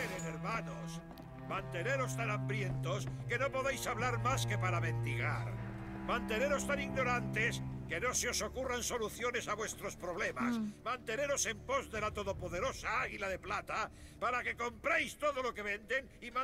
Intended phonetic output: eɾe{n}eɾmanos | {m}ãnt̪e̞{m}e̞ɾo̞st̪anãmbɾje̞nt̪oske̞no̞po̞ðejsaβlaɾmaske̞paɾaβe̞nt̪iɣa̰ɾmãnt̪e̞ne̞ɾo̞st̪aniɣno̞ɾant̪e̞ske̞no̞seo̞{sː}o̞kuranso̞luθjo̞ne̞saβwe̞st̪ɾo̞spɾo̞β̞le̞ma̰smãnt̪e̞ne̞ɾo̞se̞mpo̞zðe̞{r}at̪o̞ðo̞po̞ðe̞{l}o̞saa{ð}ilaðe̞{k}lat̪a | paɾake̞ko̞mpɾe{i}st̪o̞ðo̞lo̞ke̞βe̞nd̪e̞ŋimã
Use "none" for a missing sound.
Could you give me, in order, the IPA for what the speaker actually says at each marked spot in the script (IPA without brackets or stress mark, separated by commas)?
n, m, n, s, l, ɾ, ɣ, p, j